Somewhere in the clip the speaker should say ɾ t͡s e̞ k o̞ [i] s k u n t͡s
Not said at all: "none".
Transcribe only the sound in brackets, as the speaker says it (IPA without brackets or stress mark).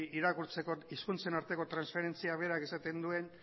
i